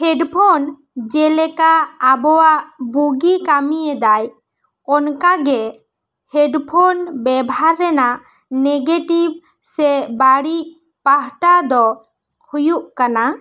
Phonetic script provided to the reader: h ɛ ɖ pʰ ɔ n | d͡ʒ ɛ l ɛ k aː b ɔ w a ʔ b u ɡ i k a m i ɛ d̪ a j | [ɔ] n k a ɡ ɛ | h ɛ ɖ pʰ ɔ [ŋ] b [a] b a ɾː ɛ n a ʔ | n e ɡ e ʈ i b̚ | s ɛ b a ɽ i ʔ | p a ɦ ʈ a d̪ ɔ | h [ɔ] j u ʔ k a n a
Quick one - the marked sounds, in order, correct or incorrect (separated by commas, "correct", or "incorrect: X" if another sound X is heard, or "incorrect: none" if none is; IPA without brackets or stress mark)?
correct, incorrect: n, incorrect: ɛ, incorrect: u